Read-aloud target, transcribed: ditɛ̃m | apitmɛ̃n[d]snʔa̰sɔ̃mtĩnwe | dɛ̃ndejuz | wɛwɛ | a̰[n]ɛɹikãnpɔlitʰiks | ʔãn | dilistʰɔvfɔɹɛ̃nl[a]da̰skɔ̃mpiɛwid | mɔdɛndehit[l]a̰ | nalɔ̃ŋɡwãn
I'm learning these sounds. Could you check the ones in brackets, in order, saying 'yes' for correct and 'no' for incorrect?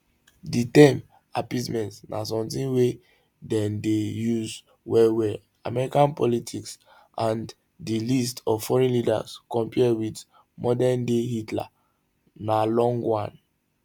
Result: no, no, no, yes

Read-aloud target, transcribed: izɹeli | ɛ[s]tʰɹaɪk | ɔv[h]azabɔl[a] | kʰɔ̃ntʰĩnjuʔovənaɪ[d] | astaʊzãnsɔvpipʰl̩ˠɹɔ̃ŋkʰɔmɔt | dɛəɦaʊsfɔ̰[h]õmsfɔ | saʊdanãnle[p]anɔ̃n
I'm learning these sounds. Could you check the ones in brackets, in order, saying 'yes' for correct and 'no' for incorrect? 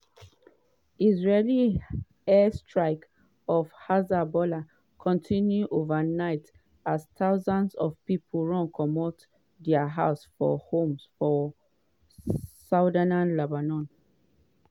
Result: yes, yes, yes, no, yes, no

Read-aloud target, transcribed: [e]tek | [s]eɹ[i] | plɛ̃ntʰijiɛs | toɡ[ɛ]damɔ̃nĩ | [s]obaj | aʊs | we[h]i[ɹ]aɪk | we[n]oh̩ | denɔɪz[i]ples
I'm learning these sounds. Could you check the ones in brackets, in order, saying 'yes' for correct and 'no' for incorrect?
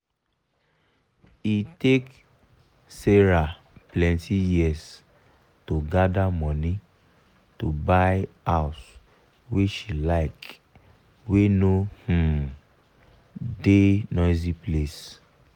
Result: no, yes, no, no, no, no, no, yes, yes

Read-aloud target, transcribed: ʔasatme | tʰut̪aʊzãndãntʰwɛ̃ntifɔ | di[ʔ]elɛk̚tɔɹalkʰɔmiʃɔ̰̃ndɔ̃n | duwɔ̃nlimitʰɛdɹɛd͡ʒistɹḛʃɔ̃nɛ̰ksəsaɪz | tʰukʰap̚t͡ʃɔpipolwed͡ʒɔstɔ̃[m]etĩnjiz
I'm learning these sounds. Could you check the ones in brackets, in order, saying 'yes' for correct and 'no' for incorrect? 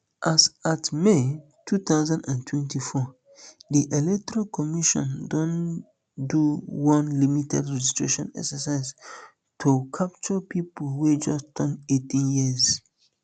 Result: yes, no

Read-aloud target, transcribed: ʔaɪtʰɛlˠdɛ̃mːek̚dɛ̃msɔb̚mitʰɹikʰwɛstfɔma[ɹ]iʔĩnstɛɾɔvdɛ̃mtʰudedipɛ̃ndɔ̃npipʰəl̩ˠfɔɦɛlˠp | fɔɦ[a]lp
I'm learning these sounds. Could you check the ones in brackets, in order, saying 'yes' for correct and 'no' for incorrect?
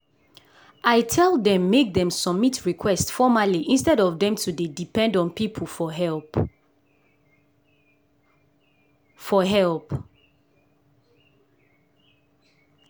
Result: no, no

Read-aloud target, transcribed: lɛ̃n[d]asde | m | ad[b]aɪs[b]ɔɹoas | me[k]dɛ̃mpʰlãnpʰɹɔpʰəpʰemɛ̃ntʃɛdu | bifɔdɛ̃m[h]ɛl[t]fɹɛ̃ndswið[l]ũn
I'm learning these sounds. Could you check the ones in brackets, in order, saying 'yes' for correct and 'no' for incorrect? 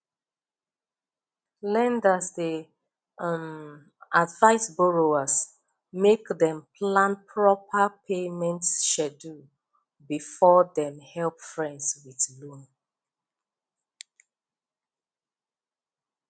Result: yes, no, yes, yes, yes, no, yes

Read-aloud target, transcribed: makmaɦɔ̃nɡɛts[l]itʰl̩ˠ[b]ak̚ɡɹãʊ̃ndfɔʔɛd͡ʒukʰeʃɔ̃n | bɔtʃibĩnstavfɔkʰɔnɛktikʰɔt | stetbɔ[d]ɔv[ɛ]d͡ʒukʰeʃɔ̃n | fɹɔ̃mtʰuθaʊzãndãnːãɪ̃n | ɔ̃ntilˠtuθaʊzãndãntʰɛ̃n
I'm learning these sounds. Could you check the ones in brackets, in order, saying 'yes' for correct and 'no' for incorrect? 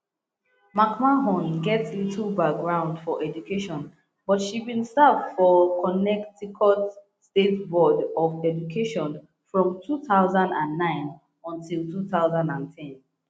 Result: yes, yes, yes, yes

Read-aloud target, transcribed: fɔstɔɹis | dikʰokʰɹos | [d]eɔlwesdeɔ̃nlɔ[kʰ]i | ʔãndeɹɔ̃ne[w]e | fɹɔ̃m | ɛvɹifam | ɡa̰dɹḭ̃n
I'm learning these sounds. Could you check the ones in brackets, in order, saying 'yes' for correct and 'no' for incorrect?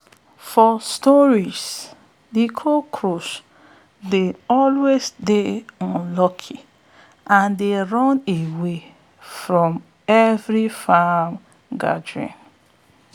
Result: yes, yes, yes

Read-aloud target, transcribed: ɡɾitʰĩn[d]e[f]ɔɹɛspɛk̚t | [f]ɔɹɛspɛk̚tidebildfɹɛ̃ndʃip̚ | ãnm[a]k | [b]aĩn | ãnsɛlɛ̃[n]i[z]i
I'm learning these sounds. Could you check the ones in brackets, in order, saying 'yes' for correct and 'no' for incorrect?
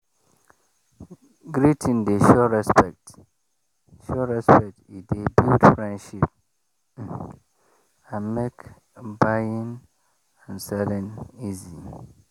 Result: yes, no, no, no, yes, yes, yes

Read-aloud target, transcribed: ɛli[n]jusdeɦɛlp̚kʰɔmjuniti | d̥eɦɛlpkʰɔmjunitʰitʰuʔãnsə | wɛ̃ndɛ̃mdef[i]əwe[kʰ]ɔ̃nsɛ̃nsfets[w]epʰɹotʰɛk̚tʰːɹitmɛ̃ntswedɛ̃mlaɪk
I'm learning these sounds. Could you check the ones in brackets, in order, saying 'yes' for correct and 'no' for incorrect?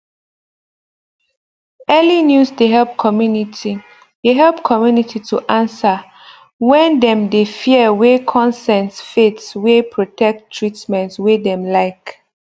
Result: yes, yes, yes, yes

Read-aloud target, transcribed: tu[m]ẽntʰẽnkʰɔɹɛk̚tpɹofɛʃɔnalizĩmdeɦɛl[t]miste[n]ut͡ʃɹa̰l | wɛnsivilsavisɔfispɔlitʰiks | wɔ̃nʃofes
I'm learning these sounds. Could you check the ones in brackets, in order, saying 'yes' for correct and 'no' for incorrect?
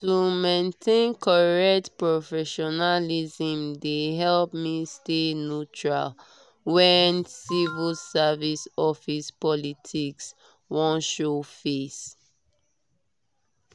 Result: yes, no, yes

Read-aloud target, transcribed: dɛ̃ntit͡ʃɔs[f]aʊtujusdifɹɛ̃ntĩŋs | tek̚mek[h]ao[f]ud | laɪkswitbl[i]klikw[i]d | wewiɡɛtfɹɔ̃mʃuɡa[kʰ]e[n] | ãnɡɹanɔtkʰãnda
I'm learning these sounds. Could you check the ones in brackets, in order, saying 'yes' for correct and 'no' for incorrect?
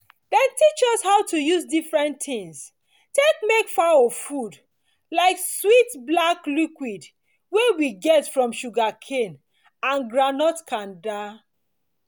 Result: no, no, yes, no, yes, yes, yes

